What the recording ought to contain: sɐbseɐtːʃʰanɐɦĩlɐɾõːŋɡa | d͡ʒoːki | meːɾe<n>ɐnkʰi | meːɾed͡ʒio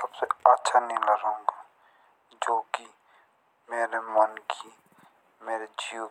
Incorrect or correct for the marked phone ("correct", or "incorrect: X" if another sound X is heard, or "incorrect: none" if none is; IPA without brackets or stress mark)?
incorrect: m